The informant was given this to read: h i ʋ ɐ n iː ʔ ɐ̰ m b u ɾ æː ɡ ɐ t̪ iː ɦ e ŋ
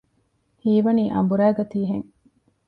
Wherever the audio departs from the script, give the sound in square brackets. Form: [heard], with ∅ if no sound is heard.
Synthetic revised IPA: h [iː] ʋ ɐ n iː ʔ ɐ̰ m b u ɾ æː ɡ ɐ t̪ iː ɦ e ŋ